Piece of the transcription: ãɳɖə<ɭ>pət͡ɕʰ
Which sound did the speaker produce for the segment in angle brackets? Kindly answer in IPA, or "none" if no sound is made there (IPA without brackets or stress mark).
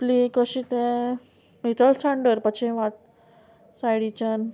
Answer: ɾ